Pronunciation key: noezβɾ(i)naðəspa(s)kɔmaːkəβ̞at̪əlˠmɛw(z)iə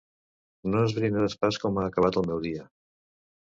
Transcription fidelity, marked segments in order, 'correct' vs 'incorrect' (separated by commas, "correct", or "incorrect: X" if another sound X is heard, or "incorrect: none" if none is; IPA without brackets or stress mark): correct, correct, incorrect: ð